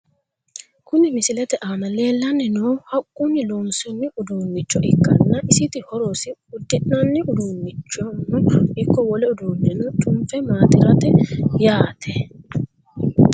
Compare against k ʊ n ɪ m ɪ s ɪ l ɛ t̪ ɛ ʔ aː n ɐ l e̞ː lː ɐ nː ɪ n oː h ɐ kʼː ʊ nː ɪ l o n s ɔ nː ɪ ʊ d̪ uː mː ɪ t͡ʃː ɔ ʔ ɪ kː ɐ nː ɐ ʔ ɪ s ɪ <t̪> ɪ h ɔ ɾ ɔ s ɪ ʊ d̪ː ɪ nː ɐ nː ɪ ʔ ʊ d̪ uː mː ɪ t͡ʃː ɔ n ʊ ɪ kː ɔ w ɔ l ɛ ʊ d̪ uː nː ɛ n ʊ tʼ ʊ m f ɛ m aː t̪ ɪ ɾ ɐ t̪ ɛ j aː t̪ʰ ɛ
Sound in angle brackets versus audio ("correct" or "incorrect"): correct